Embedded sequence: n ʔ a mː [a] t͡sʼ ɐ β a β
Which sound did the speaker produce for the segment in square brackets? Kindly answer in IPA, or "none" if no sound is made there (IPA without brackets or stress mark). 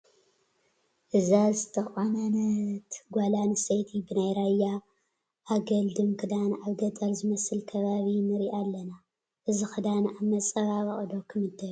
ɐ